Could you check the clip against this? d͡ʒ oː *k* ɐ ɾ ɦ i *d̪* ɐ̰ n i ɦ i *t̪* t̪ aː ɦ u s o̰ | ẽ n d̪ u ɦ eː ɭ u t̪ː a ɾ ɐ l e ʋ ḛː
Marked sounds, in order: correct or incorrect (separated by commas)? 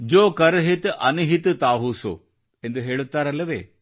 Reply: correct, incorrect, correct